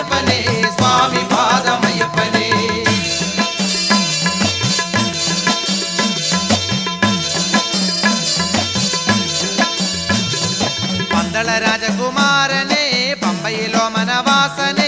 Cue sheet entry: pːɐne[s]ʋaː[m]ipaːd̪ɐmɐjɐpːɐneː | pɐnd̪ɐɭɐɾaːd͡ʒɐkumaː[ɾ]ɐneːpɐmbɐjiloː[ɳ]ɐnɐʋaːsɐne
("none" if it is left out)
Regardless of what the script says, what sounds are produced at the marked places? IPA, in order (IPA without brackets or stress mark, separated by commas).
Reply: s, m, ɾ, m